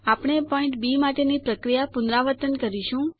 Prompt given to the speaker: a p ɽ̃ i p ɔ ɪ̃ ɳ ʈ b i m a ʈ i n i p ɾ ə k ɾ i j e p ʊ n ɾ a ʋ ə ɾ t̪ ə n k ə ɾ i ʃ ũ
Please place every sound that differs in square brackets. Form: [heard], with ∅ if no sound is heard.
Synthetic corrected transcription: a p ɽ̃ [e] p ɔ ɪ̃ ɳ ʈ b i m a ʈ [e] n i p ɾ ə k ɾ i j [a] p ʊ n ɾ a ʋ ə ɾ t̪ ə n k ə ɾ i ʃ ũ